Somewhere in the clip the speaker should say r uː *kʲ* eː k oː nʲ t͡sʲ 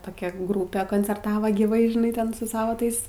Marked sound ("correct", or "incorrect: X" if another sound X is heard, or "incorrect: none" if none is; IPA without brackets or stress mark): incorrect: pʲ